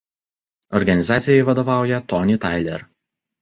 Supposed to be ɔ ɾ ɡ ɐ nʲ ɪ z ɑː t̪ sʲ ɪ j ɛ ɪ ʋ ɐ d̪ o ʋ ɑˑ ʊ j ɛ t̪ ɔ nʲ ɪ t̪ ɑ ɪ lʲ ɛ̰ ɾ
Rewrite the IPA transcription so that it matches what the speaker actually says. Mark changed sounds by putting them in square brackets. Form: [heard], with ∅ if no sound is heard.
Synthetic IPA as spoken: ɔ ɾ ɡ ɐ nʲ ɪ z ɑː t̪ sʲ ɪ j ɛ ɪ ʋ ɐ d̪ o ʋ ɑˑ ʊ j ɛ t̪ ɔ nʲ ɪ t̪ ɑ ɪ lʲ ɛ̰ ɾ